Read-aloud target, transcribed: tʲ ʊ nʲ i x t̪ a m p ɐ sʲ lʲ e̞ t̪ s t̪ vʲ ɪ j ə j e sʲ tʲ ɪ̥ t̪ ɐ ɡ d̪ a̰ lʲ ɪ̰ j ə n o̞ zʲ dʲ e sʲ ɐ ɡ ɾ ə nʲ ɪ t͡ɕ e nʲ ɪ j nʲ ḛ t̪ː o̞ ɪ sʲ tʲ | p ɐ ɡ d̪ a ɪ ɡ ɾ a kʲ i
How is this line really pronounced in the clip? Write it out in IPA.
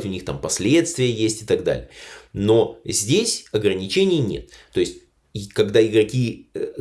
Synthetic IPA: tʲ ʊ nʲ i x t̪ a m p ɐ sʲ lʲ e̞ t̪ s t̪ vʲ ɪ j ə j e sʲ tʲ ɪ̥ t̪ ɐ ɡ d̪ a̰ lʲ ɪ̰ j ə n o̞ zʲ dʲ e sʲ ɐ ɡ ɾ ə nʲ ɪ t͡ɕ e nʲ ɪ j nʲ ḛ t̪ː o̞ ɪ sʲ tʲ | k ɐ ɡ d̪ a ɪ ɡ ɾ ɐ kʲ i